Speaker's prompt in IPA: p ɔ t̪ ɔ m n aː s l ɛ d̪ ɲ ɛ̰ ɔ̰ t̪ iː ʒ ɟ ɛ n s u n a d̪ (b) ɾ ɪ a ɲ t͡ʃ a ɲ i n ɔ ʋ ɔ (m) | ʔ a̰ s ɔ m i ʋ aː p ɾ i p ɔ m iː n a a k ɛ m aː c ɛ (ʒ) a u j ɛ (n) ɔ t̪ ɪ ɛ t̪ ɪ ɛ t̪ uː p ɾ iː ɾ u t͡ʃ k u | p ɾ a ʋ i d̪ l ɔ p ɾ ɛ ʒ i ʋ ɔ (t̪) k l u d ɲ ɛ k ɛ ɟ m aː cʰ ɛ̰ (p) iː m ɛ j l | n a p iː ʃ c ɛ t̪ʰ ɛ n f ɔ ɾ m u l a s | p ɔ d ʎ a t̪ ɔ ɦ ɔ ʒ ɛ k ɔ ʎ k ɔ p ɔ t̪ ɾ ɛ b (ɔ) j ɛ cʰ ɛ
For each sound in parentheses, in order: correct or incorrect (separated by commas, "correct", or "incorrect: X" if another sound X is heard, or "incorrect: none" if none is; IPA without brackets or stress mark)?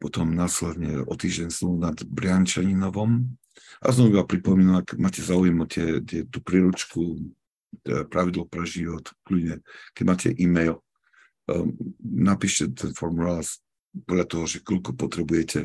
correct, correct, incorrect: z, incorrect: m, correct, incorrect: ʔ, incorrect: u